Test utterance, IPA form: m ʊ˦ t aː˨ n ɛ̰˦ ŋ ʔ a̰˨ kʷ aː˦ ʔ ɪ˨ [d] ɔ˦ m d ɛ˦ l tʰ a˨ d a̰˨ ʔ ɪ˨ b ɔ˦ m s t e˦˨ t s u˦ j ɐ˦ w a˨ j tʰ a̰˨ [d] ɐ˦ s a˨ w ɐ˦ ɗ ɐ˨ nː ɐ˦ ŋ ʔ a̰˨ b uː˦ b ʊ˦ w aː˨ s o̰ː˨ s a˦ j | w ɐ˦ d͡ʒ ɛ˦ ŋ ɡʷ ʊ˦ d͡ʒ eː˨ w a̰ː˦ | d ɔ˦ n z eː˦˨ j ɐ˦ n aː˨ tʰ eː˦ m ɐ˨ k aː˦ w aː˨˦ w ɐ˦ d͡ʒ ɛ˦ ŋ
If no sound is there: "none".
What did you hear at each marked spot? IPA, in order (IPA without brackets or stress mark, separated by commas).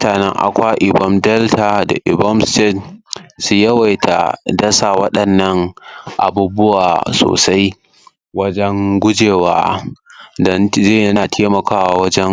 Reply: b, d